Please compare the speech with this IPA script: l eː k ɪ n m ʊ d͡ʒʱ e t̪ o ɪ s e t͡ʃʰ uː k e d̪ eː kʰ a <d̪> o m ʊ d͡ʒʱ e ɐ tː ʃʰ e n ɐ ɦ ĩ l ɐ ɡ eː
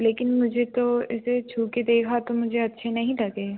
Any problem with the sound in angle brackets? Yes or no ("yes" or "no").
yes